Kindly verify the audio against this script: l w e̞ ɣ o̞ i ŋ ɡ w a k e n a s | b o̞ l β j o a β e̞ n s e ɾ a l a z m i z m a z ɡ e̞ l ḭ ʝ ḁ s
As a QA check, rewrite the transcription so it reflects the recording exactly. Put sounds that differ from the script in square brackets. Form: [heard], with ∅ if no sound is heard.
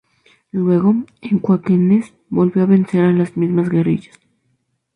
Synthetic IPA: l w e̞ ɣ o̞ [e] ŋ [k] w a k e n [e] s | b o̞ l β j o a β e̞ n s e ɾ a l a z m i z m a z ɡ e̞ [r] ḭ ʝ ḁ s